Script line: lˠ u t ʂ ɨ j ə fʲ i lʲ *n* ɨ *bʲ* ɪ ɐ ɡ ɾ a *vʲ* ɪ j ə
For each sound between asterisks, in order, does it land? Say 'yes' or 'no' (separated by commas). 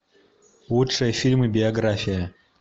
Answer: no, yes, no